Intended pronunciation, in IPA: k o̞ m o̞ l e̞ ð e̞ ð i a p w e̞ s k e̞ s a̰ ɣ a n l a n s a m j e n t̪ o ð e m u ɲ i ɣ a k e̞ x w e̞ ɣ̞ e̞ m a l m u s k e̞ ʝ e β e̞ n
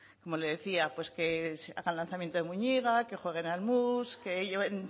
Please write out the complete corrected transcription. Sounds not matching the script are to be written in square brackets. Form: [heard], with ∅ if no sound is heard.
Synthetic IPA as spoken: k o̞ m o̞ l e̞ ð e̞ [θ] i a p w e̞ s k e̞ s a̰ ɣ a n l a n [θ] a m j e n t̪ o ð e m u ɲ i ɣ a k e̞ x w e̞ ɣ̞ e̞ [n] a l m u s k e̞ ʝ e β e̞ n

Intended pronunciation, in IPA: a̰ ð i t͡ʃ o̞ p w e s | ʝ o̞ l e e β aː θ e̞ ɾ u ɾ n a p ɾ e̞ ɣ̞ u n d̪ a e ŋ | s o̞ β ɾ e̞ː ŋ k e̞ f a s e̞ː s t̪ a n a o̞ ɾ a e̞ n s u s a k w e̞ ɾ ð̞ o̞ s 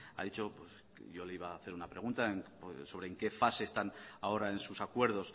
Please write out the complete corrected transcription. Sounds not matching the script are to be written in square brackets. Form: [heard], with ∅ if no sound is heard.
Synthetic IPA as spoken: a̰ ð i t͡ʃ o̞ p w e s | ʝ o̞ l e [i] β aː θ e̞ ɾ u [∅] n a p ɾ e̞ ɣ̞ u n [t̪] a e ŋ | s o̞ β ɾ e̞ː ŋ k e̞ f a s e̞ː s t̪ a n a o̞ ɾ a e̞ n s u s a k w e̞ ɾ ð̞ o̞ s

